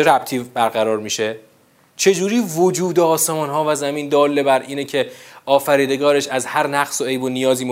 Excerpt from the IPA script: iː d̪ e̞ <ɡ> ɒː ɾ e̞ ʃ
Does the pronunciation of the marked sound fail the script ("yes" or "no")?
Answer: no